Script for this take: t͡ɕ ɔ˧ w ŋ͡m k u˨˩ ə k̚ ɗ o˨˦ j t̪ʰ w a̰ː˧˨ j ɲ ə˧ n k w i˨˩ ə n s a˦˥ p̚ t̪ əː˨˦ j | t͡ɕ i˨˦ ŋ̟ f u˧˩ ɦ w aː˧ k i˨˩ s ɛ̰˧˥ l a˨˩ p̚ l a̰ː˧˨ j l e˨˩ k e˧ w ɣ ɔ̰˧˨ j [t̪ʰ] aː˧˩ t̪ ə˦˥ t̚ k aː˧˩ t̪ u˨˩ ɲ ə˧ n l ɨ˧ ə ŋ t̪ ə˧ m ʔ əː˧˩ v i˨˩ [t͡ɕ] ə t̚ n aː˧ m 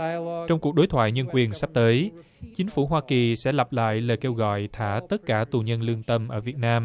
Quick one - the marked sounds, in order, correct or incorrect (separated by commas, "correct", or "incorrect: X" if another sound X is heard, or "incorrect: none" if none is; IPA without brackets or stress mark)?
correct, incorrect: none